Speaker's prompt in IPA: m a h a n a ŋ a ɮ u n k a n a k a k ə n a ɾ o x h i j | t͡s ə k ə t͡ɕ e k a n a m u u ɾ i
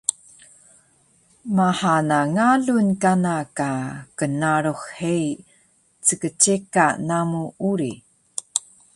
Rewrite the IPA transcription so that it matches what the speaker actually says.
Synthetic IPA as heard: m a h a n a ŋ a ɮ u n k a n a k a k ə n a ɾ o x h e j | t͡s ə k ə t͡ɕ e k a n a m u u ɾ i

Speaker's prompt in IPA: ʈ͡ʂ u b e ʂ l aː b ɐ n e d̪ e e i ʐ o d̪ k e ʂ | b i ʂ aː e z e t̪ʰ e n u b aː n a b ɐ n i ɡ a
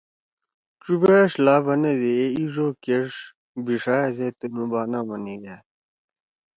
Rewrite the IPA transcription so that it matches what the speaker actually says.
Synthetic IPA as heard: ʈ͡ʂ u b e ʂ l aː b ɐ n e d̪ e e i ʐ o k e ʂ | b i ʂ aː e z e t̪ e n u b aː n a m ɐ n i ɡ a

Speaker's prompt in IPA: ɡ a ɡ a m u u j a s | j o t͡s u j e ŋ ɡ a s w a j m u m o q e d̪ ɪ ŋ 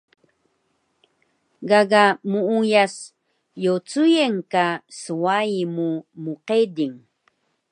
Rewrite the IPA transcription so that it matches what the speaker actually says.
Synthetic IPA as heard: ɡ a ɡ a m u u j a s | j o t͡s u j e ŋ k a s w a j m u m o q e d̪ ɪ ŋ

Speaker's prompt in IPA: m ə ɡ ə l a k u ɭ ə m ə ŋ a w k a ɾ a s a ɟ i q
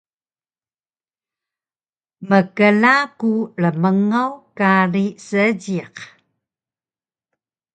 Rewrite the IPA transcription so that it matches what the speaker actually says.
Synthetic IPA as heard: m ə k ə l a k u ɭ ə m ə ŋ a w k a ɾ i s ə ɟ i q

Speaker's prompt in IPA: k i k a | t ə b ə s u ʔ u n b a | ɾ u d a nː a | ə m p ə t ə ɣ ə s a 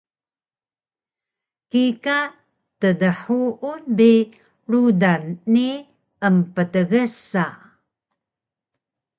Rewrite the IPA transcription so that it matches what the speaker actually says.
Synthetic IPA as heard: k i k a | t ə d ə ħ u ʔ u n b i | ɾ u d a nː i | ə m p ə t ə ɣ ə s a

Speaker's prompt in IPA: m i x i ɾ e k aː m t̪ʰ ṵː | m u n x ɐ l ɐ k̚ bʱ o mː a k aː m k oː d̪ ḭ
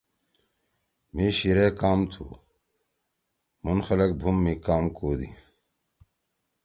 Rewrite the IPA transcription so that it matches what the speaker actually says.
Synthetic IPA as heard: m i ɕ i ɾ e k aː m t̪ʰ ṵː | m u n x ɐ l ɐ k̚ bʱ u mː i k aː m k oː d̪ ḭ

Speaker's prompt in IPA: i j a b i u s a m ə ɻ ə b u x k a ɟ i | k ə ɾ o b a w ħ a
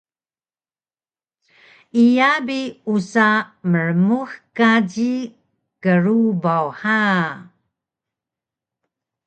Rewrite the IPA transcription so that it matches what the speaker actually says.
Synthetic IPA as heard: i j a b i u s a m ə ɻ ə m u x k a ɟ i | k ə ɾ u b a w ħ a

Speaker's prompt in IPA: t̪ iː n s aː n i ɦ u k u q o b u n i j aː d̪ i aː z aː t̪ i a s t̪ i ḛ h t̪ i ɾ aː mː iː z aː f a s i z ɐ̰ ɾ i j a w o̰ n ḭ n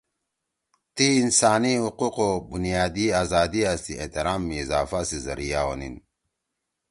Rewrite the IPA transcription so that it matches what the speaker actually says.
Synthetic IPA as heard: t̪ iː n s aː n i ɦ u q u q o b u n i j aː d̪ i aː z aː d̪ i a s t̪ i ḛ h t̪ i ɾ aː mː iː z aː f a s i z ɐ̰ ɾ i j a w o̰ n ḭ n

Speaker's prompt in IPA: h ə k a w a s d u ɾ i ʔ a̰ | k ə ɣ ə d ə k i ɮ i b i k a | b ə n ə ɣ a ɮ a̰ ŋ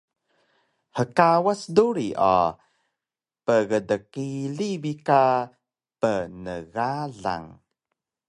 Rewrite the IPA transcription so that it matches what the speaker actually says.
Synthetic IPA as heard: h ə k a w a s d u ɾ i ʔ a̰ | p ə ɣ ə d ə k i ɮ i b i k a | p ə n ə ɣ a ɮ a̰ ŋ

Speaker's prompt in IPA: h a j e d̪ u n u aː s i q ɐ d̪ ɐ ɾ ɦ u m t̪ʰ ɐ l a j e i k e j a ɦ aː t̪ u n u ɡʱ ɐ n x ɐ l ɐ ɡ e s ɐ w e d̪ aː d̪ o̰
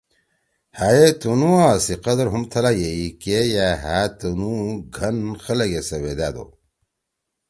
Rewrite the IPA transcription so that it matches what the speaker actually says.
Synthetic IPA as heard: h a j e t̪ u n u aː s i q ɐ d̪ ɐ ɾ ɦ u m t̪ʰ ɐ l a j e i k e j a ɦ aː t̪ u n u ɡʱ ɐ n x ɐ l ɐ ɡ e s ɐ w e d̪ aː d̪ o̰

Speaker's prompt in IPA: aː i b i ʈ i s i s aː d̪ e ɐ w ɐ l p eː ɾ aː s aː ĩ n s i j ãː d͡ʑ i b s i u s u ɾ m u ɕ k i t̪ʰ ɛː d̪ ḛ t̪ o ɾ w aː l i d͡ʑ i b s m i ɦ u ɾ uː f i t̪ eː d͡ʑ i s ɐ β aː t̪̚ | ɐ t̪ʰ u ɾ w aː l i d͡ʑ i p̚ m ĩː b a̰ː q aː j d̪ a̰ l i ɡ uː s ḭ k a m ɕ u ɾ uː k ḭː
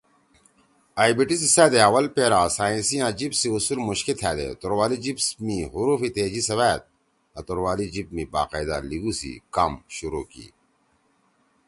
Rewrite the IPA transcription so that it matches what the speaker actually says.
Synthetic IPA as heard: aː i b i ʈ i s i s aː d̪ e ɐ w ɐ l p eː ɾ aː s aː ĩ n s i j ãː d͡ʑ i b s i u s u l m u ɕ k i t̪ʰ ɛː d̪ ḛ t̪ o ɾ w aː l i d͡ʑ i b s m i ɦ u ɾ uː f i t̪ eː d͡ʑ i s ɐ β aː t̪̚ | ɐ t̪ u ɾ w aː l i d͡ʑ i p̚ m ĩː b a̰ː q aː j d̪ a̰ l i ɡ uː s ḭ k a m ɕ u ɾ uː k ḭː

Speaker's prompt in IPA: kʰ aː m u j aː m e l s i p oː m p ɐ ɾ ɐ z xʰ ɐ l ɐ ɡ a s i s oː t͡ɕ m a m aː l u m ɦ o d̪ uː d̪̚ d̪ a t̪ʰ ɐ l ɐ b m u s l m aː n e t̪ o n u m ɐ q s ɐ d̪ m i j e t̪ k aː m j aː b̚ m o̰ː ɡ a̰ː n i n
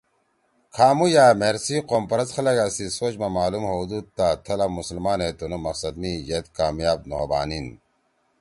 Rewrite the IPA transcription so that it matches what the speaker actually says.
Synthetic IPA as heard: kʰ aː m u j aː m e ɾ s i q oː m p ɐ ɾ ɐ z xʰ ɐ l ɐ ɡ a s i s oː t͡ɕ m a m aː l u m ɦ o d̪ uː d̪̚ t̪ a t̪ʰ ɐ l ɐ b m u s l m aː n e t̪ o n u m ɐ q s ɐ d̪ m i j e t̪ k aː m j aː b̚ n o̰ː b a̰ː n i n

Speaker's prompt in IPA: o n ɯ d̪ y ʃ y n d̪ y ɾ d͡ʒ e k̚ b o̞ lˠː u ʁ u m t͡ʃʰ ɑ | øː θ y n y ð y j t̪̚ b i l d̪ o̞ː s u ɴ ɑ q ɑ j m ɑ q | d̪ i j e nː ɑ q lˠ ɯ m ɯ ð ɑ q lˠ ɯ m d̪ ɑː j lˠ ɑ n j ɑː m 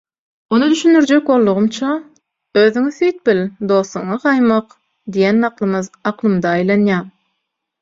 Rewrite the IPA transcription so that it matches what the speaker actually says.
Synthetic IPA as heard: o n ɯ d̪ y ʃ y n d̪ y ɾ d͡ʒ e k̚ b o̞ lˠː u ʁ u m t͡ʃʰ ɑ | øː ð y ŋ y θ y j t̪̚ b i l d̪ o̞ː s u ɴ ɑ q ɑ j m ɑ q | d̪ i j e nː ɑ q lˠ ɯ m ɯ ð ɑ q lˠ ɯ m d̪ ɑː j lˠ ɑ n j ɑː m

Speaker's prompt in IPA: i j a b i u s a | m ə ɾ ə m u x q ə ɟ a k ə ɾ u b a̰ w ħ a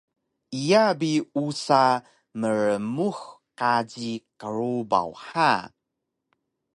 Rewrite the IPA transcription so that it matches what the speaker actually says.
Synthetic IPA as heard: i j a b i u s a | m ə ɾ ə m u x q a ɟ i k ə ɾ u b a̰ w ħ a

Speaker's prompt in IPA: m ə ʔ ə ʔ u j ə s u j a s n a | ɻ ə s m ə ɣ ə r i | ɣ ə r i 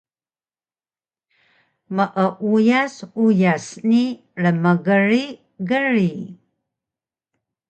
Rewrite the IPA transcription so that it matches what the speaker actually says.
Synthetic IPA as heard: m ə ʔ ə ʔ u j a s u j a s n i | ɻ ə m ə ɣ ə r i | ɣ ə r i

